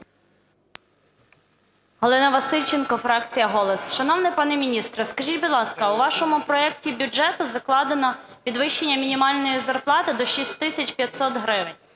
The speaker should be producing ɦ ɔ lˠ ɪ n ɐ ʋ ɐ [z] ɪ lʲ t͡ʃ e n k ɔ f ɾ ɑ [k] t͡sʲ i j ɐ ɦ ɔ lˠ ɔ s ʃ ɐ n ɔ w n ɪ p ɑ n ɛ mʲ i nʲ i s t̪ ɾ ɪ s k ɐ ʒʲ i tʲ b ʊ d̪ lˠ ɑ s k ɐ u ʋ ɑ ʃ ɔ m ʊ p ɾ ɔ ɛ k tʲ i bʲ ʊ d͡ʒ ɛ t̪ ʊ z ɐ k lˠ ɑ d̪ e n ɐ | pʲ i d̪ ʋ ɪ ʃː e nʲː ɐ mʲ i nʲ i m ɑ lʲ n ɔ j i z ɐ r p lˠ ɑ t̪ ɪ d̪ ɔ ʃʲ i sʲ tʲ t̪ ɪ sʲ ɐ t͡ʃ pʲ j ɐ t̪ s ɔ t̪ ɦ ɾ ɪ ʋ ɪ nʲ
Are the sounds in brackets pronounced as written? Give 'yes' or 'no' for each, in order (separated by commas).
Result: no, yes